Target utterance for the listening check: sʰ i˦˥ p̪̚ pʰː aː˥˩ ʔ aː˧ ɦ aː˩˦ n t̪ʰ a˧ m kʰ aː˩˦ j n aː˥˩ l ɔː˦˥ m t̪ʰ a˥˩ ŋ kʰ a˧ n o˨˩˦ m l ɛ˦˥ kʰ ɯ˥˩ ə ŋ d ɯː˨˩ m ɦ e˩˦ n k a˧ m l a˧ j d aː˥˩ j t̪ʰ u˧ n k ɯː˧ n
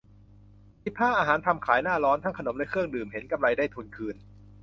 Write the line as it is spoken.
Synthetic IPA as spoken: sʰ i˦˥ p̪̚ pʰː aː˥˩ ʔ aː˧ ɦ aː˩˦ n t̪ʰ a˧ m kʰ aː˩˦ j n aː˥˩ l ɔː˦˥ n t̪ʰ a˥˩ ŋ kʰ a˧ n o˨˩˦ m l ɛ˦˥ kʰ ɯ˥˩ ə ŋ d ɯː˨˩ m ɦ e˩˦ n k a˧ m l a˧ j d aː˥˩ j t̪ʰ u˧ n kʰ ɯː˧ n